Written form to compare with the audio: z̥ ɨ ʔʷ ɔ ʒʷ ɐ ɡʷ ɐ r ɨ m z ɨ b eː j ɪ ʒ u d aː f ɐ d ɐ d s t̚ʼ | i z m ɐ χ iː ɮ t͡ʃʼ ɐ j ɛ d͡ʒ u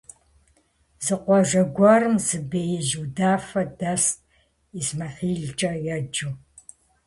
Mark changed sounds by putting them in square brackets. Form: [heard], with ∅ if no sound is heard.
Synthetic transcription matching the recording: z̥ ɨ [qʷ] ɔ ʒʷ ɐ ɡʷ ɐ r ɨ m z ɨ b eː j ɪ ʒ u d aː f ɐ d ɐ [∅] s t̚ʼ | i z m ɐ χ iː ɮ t͡ʃʼ ɐ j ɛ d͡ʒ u